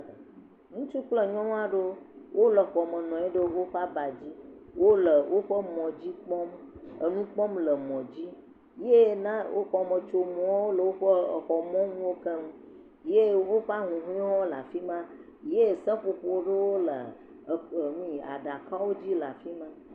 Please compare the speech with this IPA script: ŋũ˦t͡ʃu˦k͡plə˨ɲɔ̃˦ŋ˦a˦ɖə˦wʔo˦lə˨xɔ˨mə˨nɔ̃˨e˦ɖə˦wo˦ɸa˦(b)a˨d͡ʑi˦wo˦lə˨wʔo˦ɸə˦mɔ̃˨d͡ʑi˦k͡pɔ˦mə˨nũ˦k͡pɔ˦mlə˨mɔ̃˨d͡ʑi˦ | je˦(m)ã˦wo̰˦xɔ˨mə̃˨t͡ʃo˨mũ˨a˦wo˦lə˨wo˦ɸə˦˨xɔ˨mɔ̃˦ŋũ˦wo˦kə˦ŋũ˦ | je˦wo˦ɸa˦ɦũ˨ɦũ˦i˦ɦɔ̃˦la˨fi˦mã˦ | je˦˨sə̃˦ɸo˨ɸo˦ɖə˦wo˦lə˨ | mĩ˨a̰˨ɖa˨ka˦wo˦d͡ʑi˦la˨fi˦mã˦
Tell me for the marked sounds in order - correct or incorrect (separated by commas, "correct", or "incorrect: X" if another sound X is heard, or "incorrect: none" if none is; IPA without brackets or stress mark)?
correct, incorrect: n